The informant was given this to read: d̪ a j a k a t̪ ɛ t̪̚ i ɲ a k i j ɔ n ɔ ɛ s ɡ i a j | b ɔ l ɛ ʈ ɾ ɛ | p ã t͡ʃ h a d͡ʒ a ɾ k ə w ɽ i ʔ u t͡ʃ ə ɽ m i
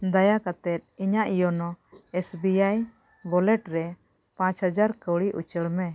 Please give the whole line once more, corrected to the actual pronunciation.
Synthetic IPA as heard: d̪ a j a k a t̪ ɛ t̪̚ i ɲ a ʔ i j ɔ n ɔ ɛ s b i a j | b ɔ l ɛ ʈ ɾ ɛ | p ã t͡ʃ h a d͡ʒ a ɾ k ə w ɽ i ʔ u t͡ʃ ə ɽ m ɛ

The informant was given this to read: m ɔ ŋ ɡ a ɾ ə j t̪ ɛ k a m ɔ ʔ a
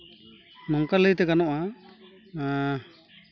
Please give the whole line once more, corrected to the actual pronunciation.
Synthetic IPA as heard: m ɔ ŋ k a l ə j t̪ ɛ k a n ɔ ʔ a

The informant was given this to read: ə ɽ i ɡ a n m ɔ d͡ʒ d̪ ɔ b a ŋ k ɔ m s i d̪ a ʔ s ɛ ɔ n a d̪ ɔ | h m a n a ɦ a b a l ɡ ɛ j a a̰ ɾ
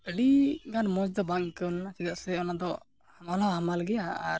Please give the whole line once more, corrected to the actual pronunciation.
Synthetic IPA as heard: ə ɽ i ɡ a n m ɔ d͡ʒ d̪ ɔ b a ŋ k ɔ n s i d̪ a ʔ s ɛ ɔ n a d̪ ɔ | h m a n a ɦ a m a l ɡ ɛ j a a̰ ɾ

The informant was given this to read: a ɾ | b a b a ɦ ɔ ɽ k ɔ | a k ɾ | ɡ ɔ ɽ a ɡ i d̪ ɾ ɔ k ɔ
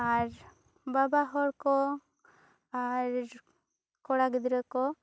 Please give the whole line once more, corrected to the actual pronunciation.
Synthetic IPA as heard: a ɾ | b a b a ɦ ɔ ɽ k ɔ | a ɾ | k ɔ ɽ a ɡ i d̪ ɾ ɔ k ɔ

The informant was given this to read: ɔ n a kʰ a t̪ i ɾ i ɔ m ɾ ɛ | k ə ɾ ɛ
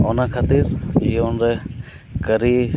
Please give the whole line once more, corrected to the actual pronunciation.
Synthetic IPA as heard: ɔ n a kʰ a t̪ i ɾ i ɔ n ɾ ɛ | k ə ɾ i

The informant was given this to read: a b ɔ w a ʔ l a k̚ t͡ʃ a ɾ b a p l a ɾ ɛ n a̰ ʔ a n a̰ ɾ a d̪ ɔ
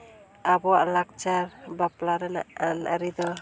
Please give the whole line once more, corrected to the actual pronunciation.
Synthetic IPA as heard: a b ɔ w a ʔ l a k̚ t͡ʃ a ɾ b a p l a ɾ ɛ n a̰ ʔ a n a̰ ɾ i d̪ ɔ

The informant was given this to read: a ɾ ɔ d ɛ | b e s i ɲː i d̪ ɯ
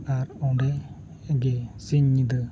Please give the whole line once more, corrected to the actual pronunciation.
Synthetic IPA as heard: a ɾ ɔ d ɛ | ɡ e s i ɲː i d̪ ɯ

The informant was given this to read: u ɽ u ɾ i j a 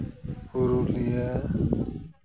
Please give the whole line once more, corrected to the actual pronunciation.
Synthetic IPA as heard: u ɾ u l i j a

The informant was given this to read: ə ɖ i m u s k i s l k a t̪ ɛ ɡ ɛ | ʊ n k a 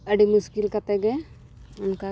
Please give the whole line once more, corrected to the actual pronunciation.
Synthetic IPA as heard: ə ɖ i m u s k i l k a t̪ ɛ ɡ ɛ | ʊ n k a

